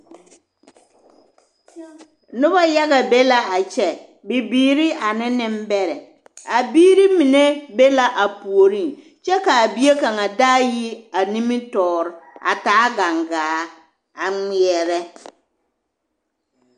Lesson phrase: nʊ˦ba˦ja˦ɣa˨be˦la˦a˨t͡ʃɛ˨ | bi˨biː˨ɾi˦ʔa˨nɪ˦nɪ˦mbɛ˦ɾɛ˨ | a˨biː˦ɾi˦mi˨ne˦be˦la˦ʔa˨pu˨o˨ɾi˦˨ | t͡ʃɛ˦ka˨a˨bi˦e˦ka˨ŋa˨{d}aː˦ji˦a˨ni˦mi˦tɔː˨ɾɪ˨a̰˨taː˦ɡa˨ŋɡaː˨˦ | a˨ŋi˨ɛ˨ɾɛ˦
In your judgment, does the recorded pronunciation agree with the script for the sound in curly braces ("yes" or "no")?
yes